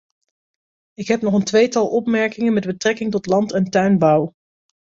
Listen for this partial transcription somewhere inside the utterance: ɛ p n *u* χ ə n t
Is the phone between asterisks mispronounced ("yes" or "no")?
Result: yes